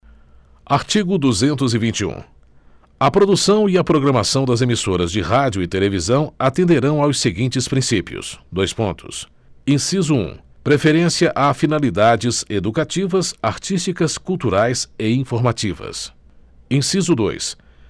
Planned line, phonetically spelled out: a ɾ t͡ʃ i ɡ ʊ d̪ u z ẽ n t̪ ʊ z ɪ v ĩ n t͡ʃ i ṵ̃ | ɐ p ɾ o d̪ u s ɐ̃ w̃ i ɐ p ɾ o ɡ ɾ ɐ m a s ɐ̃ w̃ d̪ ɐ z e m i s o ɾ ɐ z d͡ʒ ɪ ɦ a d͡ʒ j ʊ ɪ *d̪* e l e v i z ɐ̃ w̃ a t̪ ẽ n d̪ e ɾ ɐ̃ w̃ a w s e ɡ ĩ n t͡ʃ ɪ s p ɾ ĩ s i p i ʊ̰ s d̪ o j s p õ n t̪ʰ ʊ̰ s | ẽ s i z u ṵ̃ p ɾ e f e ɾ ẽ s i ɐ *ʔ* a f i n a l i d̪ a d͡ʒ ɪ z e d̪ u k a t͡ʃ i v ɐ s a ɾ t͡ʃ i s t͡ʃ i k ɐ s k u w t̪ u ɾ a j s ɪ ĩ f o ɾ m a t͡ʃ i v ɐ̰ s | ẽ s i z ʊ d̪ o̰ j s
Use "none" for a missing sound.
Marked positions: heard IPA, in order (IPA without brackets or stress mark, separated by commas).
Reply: t̪, ʔ